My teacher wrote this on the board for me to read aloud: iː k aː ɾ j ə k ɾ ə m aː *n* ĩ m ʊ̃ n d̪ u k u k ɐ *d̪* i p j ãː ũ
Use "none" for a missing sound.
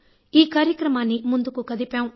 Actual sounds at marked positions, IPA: n, d̪

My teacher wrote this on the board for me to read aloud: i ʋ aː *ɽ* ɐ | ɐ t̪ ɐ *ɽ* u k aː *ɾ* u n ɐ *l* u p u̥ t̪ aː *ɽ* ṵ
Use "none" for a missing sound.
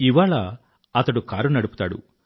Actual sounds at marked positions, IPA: ɭ, ɽ, ɾ, ɽ, ɽ

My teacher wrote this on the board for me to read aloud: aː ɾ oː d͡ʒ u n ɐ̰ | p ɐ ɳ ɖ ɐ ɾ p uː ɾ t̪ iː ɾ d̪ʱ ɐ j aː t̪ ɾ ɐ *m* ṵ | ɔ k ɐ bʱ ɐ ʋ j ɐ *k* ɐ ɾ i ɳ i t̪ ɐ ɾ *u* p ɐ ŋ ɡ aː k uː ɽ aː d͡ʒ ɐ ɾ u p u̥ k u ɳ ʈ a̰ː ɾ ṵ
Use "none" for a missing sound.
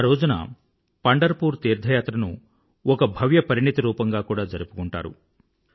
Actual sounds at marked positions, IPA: n, p, uː

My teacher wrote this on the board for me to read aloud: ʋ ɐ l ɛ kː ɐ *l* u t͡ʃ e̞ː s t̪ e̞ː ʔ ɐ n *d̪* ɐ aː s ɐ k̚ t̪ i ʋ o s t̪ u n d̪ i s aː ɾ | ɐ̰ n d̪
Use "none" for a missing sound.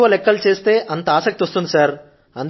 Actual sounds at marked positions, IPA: l, t̪

